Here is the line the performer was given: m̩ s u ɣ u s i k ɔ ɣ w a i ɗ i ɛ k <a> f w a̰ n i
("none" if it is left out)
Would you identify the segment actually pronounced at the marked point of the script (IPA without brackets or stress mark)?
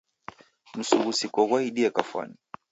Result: a